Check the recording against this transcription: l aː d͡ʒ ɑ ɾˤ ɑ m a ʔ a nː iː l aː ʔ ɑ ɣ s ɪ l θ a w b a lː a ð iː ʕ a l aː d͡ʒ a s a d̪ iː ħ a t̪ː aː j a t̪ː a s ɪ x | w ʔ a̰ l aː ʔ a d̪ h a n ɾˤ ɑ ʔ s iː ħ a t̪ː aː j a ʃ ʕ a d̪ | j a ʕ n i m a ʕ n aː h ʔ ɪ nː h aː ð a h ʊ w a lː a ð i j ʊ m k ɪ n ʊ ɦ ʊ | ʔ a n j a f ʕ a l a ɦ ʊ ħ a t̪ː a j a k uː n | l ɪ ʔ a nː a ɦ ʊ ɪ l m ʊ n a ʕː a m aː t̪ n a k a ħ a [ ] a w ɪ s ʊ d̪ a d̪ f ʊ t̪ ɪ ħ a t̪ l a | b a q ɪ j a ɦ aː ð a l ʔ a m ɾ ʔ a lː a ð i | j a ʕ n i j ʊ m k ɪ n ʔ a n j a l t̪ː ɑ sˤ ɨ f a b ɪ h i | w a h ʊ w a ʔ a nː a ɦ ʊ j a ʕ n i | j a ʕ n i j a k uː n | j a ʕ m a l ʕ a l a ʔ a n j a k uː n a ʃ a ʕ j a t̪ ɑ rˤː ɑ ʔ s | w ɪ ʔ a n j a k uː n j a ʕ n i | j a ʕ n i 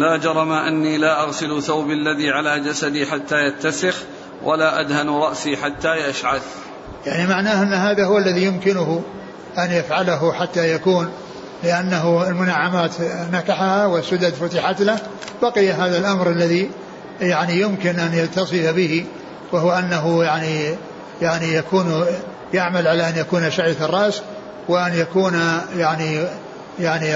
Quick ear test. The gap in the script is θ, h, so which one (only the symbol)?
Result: h